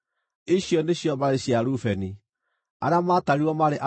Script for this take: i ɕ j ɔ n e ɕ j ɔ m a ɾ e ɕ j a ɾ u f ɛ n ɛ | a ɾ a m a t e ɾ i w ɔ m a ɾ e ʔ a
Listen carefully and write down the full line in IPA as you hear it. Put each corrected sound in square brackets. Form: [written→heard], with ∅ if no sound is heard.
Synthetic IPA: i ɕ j ɔ n e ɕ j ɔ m a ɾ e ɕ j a ɾ u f ɛ n [ɛ→i] | a ɾ a m a t [e→a] ɾ i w ɔ m a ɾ e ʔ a